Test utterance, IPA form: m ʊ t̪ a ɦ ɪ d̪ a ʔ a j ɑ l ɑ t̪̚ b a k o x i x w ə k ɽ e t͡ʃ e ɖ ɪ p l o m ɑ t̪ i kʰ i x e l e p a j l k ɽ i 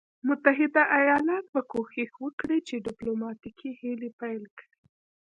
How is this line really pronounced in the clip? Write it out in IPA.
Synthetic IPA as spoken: m ʊ t̪ a ɦ ɪ d̪ a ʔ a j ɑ l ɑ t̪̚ b a k o x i x w ə k ɽ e t͡ʃ e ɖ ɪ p l o m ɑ t̪ i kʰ i h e l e p a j l k ɽ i